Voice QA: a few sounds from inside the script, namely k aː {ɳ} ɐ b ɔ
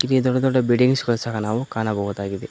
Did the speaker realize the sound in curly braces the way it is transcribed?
no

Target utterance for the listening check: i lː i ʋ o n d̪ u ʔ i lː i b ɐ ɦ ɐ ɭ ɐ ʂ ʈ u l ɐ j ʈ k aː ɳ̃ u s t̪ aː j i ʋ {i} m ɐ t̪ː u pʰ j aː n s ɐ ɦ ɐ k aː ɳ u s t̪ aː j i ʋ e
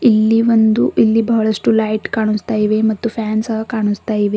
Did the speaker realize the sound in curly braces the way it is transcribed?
no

